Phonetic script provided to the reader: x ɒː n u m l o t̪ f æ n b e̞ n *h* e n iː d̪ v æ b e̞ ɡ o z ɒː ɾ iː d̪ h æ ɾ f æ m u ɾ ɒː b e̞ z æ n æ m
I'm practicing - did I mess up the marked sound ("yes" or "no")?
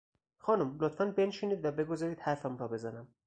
yes